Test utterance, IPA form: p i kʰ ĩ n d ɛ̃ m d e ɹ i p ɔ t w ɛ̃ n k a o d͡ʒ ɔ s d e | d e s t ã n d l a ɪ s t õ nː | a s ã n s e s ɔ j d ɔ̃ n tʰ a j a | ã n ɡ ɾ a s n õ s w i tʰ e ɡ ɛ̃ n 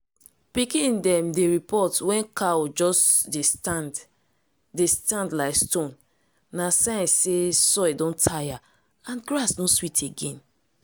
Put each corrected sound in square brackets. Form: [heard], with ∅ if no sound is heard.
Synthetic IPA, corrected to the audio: p i [k] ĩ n d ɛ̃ m d e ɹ i p ɔ t w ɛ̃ n k a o d͡ʒ ɔ s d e | d e s t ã n d l a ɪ s t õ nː | a s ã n s e s ɔ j d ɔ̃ n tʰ a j a | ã n ɡ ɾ a s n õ s w i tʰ e ɡ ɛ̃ n